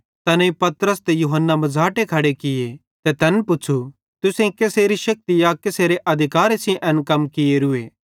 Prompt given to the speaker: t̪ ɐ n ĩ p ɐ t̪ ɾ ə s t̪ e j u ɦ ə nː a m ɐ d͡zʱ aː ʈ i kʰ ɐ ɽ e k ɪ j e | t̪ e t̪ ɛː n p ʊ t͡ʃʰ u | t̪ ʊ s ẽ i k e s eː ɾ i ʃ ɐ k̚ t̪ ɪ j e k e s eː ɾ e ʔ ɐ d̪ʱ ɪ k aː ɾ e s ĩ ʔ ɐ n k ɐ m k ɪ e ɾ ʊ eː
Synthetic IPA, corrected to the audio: t̪ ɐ n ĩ p ɐ t̪ ɾ ə s t̪ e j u ɦ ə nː a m ɐ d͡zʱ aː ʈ e kʰ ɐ ɽ e k ɪ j e | t̪ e t̪ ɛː n p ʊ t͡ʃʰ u | t̪ ʊ s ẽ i k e s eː ɾ i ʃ ɐ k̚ t̪ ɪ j a k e s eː ɾ e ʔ ɐ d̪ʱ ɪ k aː ɾ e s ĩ ʔ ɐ n k ɐ m k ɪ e ɾ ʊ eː